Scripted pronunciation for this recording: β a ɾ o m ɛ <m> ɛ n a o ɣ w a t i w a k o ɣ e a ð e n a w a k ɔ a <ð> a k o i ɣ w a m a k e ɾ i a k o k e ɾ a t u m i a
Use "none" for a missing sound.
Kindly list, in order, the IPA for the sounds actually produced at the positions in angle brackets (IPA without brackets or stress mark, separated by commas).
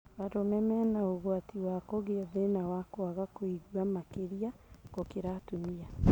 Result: m, ɣ